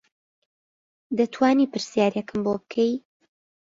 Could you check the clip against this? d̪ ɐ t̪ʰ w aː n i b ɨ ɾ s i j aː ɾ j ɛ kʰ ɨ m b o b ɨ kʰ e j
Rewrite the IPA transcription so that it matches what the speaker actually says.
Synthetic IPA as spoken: d̪ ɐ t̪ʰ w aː n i p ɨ ɾ s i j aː ɾ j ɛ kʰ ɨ m b o b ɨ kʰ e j